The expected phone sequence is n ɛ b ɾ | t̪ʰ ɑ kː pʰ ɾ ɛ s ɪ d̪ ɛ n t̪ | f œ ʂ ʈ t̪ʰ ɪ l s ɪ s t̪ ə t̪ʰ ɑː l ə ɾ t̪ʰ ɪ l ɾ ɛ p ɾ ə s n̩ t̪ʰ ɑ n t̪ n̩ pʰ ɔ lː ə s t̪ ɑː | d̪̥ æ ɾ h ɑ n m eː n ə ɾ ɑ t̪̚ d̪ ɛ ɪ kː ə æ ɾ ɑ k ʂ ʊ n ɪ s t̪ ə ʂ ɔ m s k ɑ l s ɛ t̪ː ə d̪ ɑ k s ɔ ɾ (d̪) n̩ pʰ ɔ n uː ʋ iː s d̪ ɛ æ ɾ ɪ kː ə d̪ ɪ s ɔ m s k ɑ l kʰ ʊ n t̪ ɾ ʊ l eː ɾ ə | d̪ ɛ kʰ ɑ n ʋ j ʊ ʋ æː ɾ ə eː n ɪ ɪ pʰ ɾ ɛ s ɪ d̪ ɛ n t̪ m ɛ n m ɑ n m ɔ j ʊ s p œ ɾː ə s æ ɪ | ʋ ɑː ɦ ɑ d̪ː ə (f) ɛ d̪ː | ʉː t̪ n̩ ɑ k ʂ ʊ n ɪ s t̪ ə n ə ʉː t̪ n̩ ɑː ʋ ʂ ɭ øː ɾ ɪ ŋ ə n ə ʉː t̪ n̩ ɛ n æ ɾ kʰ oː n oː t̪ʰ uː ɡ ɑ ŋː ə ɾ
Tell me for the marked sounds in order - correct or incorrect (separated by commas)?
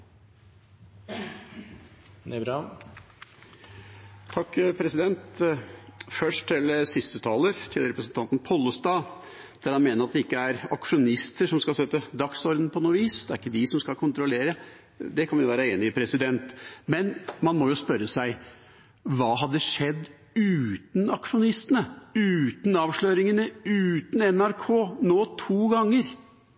correct, incorrect